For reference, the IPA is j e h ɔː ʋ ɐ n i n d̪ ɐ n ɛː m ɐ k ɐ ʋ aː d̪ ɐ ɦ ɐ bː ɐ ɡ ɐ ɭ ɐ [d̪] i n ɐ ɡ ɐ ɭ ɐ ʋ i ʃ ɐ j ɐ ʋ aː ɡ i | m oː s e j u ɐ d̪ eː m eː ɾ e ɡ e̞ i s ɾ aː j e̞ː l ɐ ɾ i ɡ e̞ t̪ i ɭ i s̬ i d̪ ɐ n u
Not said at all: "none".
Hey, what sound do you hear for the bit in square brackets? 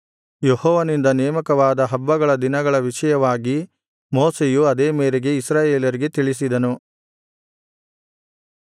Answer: d̪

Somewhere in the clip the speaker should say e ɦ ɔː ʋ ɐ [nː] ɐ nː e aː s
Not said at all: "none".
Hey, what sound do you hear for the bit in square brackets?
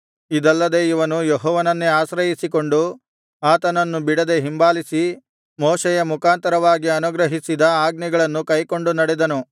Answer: n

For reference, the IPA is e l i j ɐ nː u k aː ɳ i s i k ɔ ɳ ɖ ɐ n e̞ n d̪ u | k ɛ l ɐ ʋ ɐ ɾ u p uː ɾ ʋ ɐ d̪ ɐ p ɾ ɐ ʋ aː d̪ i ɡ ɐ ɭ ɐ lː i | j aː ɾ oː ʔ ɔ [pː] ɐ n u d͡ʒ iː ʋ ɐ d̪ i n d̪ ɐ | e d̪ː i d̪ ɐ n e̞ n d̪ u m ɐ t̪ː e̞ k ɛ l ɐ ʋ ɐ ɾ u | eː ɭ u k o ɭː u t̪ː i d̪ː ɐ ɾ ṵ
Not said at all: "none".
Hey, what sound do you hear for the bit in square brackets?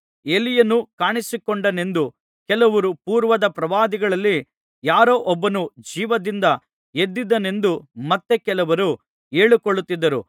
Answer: bː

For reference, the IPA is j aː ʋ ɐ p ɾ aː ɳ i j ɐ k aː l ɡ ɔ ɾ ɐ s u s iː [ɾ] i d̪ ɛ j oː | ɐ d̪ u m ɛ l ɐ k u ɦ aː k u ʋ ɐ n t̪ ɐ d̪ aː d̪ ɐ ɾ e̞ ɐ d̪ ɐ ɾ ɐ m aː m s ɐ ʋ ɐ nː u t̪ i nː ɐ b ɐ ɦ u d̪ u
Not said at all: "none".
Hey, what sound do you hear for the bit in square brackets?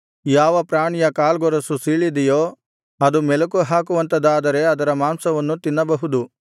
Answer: ɭ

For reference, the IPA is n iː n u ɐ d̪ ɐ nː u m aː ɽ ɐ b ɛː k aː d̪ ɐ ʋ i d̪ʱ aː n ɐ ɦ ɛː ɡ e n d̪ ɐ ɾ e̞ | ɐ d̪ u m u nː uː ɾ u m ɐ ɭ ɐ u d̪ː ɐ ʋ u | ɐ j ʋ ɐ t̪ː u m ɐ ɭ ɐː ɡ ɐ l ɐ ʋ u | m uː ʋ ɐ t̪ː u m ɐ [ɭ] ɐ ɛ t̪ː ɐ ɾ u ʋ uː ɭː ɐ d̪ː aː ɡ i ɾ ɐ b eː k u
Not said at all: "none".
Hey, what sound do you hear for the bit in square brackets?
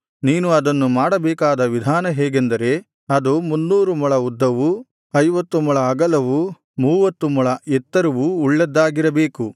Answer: ɭ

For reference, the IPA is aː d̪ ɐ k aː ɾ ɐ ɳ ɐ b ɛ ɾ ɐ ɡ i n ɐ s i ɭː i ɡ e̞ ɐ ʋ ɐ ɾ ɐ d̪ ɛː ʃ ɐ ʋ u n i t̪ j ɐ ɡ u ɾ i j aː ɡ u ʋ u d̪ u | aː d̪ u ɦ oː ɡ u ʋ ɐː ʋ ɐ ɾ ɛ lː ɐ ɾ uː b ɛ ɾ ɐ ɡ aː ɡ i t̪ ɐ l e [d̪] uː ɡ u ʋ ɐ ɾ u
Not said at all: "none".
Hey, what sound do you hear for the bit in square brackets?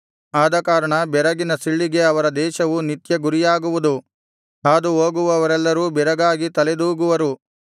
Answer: d̪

